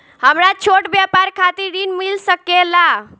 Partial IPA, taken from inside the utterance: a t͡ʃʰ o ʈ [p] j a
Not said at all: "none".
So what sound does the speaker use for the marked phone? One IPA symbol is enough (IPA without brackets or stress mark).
b